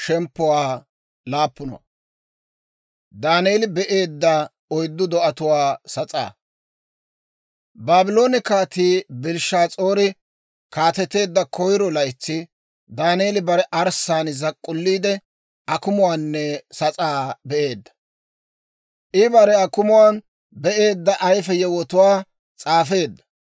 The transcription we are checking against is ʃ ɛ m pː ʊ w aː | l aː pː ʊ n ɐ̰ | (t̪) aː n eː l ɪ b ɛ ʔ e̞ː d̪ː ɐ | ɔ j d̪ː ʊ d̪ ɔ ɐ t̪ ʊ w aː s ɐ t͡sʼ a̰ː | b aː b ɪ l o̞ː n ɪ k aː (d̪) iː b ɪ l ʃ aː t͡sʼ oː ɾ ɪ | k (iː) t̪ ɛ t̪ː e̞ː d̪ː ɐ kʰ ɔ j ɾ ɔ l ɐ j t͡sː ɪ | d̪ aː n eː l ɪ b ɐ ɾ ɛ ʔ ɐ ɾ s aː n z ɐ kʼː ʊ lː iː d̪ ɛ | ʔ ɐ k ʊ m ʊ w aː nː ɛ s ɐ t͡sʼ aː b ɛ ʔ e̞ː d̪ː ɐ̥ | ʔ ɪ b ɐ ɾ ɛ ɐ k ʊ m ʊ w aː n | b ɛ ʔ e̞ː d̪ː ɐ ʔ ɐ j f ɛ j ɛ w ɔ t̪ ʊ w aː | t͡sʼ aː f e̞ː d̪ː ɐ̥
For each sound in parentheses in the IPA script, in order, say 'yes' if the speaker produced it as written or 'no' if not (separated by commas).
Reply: no, no, no